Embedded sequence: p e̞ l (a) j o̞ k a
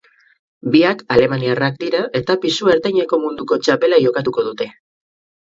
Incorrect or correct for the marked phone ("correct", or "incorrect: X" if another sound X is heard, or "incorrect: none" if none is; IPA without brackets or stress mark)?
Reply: correct